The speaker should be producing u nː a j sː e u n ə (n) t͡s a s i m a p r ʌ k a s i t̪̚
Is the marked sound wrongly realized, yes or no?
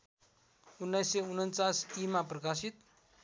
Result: no